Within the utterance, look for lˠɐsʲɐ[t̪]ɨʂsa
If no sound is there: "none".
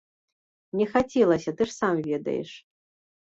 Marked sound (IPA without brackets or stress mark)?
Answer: t̪